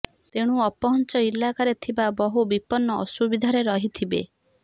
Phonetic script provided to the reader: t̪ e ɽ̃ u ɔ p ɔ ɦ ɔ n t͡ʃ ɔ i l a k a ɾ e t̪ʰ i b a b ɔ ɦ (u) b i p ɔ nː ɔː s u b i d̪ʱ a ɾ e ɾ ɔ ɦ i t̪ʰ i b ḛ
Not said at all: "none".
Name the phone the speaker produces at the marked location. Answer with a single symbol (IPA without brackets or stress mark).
u